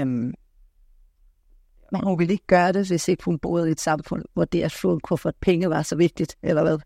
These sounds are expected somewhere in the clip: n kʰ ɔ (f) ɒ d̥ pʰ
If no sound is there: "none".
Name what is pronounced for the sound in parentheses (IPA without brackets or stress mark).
f